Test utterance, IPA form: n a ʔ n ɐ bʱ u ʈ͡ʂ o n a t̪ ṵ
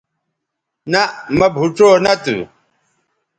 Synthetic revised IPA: n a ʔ m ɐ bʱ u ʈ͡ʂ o n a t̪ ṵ